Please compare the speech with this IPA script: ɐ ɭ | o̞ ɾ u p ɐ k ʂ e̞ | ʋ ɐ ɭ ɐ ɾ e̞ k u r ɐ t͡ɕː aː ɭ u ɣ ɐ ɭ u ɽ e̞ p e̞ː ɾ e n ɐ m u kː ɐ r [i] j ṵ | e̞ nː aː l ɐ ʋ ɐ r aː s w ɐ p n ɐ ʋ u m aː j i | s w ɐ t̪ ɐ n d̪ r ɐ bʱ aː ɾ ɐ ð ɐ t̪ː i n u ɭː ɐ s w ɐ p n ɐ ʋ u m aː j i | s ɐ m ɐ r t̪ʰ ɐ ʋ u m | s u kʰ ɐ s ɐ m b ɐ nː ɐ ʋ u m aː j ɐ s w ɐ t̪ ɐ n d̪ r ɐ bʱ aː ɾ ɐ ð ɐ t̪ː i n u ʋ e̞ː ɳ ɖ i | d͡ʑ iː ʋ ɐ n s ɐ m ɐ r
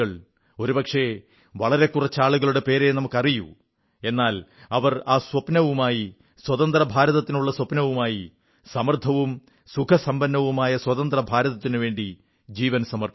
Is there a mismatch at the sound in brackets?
no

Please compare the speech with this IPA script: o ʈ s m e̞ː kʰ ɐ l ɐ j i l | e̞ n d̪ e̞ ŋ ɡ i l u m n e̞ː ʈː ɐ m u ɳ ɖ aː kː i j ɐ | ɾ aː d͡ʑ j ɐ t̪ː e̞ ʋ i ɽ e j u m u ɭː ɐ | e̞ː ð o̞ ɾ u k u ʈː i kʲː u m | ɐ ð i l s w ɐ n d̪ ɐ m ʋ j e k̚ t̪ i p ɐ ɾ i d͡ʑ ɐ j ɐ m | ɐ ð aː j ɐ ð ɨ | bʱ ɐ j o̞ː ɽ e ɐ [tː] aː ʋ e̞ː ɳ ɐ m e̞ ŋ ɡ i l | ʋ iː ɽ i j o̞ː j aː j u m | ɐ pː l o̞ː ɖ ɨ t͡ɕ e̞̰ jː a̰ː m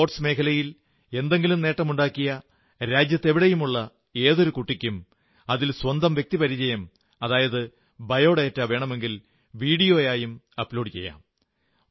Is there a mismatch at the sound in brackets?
no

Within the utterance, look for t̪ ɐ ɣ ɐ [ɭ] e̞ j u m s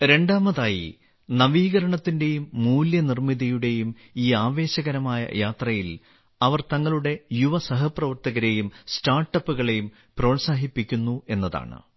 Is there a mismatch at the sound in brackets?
yes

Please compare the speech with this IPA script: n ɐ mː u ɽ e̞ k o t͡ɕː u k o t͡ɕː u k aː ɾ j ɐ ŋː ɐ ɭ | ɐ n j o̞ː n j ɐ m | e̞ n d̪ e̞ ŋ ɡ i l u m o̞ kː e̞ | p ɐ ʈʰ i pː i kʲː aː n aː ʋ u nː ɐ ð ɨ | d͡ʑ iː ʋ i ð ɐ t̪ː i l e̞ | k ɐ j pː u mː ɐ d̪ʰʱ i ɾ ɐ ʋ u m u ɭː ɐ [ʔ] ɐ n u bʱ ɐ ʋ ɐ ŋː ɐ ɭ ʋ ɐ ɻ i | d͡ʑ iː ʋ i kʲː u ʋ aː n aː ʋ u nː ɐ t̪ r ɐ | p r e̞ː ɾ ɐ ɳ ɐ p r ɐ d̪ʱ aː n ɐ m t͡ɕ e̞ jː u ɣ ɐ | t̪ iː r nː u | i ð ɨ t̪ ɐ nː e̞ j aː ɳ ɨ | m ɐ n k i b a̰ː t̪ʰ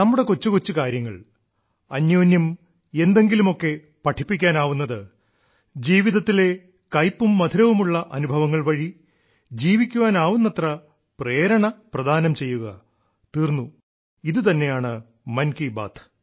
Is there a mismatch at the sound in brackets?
no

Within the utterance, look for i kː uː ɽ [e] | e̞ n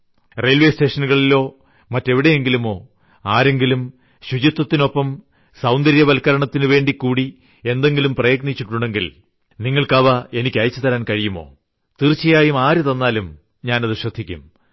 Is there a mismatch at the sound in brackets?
yes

